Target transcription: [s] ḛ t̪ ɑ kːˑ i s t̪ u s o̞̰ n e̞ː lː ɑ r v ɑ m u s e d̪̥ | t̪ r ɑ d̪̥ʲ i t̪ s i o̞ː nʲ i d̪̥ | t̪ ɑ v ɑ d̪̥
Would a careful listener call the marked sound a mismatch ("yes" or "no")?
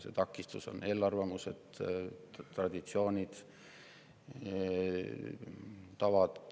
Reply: no